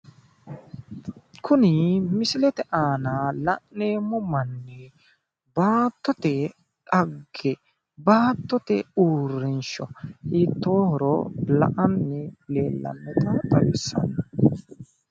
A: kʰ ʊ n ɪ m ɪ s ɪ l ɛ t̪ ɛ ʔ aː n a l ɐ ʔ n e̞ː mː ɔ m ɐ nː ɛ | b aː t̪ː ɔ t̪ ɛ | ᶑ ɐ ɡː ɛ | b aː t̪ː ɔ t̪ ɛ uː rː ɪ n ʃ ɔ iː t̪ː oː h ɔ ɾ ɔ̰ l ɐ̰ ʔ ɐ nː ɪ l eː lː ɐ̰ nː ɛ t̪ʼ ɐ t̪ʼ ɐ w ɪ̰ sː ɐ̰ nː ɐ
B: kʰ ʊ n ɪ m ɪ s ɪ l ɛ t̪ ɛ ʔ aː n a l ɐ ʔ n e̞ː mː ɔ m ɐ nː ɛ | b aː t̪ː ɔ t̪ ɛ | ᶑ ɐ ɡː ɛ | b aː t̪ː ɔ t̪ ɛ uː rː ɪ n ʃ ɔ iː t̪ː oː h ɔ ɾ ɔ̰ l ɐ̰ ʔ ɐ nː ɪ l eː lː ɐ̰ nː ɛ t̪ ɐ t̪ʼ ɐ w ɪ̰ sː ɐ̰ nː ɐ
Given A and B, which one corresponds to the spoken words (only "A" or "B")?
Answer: B